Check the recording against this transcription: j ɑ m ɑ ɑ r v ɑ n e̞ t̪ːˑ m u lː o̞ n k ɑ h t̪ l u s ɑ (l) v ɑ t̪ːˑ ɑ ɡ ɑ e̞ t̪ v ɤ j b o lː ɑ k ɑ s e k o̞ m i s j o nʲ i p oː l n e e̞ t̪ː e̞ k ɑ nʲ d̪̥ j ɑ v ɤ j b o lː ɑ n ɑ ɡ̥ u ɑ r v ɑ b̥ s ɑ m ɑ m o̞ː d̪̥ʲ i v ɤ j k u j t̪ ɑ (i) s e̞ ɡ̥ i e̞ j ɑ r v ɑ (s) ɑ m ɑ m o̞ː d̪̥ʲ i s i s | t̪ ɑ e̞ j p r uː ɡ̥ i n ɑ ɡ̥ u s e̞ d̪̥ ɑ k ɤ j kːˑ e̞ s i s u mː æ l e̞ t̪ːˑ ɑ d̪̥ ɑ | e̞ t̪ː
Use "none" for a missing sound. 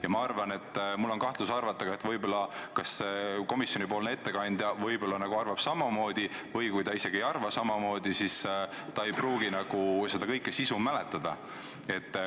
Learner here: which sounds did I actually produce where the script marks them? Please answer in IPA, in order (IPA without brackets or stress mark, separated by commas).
r, i, s